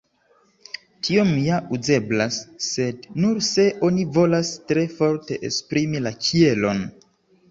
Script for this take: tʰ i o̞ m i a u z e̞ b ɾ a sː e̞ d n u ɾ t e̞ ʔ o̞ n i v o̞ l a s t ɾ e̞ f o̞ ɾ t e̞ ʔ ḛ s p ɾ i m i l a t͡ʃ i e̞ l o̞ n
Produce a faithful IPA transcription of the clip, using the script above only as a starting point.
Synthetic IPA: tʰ i o̞ m j a u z e̞ b l a sː e̞ d n u ɾ s e̞ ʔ o̞ n i v o̞ l a s t ɾ e̞ f o̞ ɾ t e̞ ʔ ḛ s p ɾ i m i l a t͡ʃ i e̞ l o̞ n